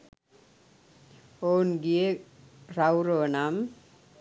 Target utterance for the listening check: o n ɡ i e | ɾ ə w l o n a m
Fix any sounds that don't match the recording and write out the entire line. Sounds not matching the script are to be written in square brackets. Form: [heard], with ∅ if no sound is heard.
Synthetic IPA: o n ɡ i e | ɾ [a] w [ɾ] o n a m